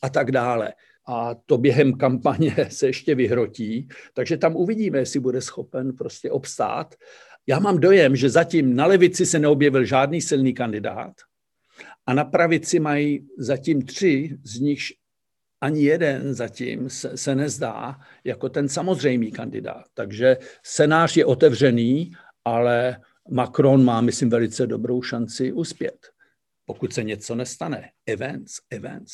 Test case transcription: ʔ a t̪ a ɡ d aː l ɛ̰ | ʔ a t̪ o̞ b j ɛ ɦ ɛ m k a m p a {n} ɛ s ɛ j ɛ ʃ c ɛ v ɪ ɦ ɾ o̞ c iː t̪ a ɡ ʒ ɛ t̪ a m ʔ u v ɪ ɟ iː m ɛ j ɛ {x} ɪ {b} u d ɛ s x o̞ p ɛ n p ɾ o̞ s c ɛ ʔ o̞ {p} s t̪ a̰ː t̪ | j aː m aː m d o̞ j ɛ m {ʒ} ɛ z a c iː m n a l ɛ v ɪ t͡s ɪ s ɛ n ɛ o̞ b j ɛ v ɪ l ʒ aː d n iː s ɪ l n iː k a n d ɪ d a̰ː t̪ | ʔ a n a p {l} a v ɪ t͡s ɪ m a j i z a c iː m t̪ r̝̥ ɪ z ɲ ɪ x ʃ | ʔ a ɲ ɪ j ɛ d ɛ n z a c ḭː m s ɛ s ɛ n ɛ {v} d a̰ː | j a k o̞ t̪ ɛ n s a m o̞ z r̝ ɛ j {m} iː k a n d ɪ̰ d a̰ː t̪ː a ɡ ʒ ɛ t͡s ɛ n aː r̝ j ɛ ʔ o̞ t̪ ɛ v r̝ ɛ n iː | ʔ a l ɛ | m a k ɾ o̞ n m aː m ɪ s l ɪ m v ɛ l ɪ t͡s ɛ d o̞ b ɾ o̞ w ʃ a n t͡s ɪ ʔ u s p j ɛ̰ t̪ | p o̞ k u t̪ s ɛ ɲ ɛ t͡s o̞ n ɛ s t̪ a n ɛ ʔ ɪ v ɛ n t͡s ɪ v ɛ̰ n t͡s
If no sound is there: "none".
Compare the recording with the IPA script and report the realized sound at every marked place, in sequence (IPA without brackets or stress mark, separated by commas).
ɲ, s, b, p, ʒ, ɾ, z, m